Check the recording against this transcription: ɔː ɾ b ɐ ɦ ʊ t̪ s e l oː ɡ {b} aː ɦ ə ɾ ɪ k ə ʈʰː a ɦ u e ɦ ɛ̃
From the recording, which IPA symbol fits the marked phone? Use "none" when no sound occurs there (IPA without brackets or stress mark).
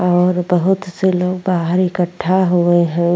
b